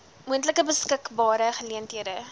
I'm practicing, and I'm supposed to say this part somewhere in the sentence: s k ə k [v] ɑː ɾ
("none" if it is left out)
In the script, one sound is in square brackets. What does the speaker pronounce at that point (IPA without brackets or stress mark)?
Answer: b